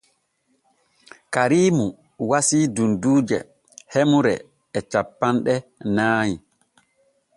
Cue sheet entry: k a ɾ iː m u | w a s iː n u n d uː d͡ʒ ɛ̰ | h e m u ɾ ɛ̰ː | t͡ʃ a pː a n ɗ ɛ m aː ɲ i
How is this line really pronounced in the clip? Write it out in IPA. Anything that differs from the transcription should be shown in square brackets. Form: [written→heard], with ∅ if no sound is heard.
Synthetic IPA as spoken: k a ɾ iː m u | w a s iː [n→d] u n d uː d͡ʒ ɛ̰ | h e m u ɾ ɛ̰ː | t͡ʃ a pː a n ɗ ɛ [m→n] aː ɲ i